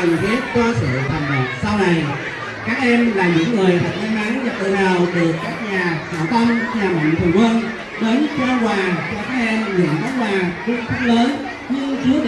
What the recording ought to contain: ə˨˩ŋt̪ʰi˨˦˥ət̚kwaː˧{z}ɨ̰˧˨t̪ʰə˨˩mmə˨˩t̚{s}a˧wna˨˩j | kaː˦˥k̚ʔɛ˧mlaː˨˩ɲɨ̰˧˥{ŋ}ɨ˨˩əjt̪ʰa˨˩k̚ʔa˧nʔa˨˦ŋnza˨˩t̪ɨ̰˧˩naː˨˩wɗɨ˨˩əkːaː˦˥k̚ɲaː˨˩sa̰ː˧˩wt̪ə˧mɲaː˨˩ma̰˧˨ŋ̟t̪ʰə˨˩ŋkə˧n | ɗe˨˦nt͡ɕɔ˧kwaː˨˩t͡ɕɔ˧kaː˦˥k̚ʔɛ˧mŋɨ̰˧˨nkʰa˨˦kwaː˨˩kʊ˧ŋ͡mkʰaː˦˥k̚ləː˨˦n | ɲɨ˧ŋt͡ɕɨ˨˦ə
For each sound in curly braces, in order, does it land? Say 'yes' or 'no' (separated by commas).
no, yes, no